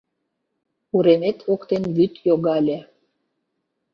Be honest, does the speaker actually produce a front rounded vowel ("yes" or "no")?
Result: yes